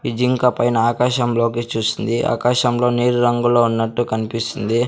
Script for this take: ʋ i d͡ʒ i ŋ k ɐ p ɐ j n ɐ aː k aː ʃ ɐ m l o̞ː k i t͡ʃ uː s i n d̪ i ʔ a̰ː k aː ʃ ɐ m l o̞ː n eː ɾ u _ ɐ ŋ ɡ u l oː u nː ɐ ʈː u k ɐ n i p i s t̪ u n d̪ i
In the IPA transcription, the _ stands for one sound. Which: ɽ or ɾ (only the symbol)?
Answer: ɾ